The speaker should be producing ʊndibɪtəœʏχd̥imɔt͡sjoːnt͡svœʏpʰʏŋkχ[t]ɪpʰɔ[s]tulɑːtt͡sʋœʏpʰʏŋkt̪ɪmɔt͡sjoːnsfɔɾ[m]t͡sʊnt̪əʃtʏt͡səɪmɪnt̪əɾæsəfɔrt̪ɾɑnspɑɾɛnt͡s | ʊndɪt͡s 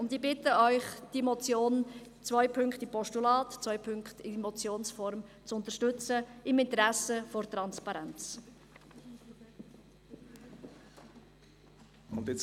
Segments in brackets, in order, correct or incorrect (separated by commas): correct, incorrect, correct